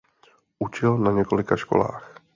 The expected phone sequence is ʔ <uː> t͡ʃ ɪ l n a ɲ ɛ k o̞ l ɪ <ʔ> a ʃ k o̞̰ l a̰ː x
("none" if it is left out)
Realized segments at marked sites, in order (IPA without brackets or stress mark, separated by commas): u, k